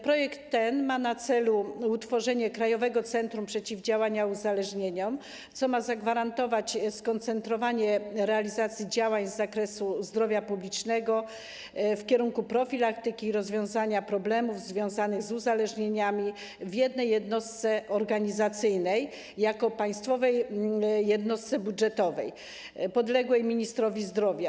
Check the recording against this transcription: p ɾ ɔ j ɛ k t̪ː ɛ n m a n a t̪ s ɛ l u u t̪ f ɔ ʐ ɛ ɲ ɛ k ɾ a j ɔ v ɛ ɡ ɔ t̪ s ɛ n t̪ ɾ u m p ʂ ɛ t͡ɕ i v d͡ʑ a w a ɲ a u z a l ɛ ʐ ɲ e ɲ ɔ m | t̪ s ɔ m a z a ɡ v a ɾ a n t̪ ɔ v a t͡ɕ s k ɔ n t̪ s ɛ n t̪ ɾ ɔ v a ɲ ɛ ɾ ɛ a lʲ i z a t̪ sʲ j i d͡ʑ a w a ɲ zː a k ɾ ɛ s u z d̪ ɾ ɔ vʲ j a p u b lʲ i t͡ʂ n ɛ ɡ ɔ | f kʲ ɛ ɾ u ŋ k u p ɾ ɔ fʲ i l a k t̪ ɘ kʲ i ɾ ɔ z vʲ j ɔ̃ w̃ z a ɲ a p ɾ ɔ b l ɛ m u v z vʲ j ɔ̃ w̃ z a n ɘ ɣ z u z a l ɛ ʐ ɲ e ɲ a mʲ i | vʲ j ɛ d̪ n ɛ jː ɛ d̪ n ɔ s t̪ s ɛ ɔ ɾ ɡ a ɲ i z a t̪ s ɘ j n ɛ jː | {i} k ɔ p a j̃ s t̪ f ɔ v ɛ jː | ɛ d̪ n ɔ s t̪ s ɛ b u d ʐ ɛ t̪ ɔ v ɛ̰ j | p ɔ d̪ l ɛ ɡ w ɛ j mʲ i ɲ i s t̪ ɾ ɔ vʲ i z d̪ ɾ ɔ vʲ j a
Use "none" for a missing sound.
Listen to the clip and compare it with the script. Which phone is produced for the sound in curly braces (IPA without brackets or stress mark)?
a